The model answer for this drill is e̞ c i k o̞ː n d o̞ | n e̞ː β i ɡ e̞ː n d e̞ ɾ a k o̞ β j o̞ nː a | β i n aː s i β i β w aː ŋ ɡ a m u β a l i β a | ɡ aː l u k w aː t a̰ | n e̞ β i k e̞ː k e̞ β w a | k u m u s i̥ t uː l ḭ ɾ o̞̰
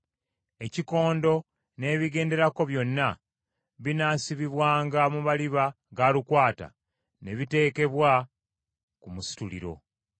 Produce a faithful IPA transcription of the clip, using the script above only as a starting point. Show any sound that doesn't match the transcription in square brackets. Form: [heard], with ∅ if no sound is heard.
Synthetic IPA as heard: e̞ c i k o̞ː n d o̞ | n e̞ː β i ɡ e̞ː n d e̞ ɾ a k o̞ β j o̞ nː a | β i n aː s i β i β w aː ŋ ɡ a m u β a l i β a | ɡ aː l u k w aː t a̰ | n e̞ β i [t] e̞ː k e̞ β w a | k u m u s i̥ t [u] l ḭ ɾ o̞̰